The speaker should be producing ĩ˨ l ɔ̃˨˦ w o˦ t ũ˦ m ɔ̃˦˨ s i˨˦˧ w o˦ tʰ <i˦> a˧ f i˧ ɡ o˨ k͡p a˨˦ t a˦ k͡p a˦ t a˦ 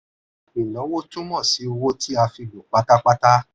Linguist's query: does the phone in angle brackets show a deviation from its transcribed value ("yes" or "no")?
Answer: no